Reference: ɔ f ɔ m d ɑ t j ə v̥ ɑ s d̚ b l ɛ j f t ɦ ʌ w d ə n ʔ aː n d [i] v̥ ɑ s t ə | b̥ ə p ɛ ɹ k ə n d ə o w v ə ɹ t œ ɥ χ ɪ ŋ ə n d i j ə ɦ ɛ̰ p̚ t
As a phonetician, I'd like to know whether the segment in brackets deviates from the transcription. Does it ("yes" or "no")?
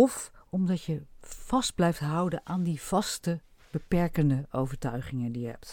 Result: no